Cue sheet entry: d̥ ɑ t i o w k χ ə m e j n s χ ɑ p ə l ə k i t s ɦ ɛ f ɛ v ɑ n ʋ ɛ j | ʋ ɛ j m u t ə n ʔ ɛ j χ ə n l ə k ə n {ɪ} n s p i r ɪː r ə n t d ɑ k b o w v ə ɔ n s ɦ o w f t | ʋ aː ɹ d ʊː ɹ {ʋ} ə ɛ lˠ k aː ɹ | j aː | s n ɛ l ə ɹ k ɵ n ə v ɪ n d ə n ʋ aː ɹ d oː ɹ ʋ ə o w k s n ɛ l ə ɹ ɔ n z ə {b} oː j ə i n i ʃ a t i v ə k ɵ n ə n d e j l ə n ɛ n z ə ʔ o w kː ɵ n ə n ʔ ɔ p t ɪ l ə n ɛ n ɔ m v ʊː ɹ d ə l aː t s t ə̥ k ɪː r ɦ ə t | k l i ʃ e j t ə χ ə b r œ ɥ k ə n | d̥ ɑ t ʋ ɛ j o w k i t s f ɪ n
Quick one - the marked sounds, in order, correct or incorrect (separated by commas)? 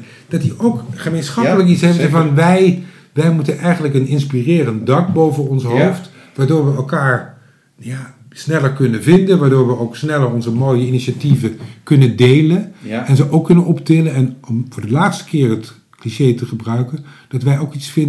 correct, correct, incorrect